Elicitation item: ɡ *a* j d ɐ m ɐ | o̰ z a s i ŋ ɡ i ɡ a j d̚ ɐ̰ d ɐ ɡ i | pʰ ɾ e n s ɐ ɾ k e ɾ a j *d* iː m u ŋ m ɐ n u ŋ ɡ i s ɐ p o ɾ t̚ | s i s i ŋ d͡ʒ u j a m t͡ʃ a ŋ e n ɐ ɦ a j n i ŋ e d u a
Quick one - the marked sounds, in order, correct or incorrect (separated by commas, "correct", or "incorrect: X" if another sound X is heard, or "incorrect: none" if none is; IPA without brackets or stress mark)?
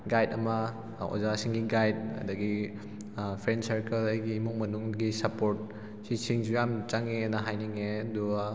correct, incorrect: ɡ